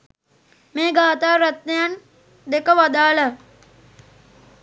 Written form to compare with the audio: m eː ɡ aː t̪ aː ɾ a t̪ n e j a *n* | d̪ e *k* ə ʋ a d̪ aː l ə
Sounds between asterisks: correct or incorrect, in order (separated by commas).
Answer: correct, correct